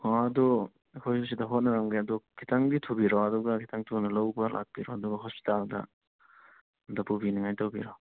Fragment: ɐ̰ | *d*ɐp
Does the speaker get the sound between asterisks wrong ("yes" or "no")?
no